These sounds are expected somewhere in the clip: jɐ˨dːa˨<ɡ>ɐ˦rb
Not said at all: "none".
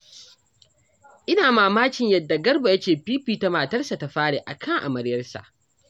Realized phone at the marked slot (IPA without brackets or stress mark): ɡ